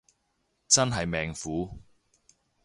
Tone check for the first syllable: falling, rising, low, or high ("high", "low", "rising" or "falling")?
high